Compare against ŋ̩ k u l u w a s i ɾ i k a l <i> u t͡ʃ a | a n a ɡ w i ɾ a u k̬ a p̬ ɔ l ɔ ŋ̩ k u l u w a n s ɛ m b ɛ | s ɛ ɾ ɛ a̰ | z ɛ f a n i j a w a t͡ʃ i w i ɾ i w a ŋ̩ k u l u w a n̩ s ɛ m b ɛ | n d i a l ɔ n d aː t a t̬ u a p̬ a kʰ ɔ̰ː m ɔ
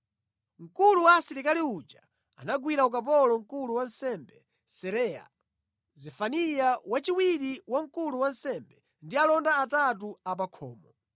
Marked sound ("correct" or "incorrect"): correct